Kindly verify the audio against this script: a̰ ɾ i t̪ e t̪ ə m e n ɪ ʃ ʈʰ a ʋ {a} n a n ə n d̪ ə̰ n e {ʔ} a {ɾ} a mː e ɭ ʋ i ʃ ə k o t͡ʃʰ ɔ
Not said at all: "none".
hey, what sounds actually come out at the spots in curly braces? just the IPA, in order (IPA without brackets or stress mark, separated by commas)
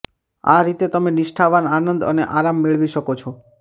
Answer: a, ʔ, ɾ